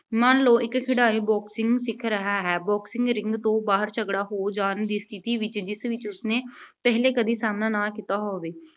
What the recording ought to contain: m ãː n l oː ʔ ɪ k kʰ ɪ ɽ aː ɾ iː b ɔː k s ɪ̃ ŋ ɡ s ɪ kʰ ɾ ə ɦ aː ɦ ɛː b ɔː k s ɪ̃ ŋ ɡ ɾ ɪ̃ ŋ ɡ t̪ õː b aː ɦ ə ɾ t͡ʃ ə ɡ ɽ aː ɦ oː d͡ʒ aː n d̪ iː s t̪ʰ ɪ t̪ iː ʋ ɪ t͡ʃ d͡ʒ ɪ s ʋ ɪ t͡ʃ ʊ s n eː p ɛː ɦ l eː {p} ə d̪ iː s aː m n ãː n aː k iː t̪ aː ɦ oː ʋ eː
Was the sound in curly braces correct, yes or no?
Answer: no